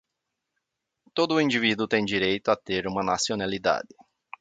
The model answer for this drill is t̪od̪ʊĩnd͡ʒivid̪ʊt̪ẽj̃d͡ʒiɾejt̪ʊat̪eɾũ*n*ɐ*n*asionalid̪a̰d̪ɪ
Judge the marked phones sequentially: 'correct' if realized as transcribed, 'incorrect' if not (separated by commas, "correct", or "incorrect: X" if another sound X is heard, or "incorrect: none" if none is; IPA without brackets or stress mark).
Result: incorrect: m, correct